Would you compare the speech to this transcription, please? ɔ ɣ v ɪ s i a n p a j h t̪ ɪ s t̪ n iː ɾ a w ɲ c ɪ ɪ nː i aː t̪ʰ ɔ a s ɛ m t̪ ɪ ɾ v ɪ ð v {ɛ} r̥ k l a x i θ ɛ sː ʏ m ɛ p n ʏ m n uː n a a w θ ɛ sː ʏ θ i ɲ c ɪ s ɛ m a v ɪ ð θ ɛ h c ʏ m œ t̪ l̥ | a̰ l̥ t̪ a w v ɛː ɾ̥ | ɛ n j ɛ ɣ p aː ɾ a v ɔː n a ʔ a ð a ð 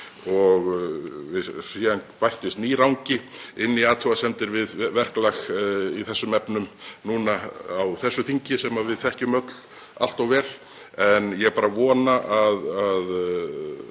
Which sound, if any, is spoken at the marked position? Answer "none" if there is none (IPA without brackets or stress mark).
ɛ